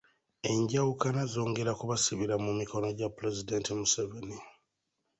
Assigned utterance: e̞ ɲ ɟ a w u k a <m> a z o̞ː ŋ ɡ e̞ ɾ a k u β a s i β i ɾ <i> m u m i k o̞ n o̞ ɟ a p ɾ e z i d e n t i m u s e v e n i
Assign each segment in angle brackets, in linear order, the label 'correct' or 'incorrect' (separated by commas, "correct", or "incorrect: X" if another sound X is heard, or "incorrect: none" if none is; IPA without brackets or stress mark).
incorrect: n, incorrect: a